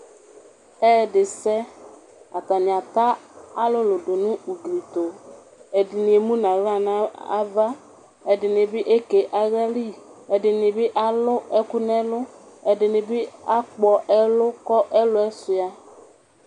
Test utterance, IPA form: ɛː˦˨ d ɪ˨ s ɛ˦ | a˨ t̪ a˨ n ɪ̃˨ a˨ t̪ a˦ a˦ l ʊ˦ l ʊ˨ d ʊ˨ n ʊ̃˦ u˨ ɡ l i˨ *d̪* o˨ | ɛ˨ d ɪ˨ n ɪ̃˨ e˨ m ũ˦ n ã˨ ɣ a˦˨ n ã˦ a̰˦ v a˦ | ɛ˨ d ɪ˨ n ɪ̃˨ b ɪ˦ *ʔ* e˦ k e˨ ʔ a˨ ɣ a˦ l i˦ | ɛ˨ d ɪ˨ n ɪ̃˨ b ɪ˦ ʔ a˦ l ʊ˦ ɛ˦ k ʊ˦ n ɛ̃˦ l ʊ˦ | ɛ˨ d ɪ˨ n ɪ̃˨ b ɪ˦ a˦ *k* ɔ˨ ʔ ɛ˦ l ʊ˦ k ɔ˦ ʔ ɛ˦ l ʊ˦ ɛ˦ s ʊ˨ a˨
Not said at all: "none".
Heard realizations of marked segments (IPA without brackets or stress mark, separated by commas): t̪, ʔ, k͡p